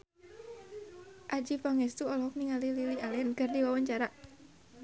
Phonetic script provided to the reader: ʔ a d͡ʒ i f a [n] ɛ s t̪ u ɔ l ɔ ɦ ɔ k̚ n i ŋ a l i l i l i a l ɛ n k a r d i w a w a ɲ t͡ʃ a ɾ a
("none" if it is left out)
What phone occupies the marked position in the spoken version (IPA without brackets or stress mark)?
ŋ